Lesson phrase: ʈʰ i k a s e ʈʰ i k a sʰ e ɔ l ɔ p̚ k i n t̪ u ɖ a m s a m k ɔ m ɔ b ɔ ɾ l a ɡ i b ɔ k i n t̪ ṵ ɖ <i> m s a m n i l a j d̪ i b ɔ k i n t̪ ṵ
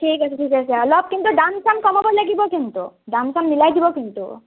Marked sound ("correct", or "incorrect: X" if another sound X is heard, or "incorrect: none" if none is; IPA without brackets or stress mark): incorrect: a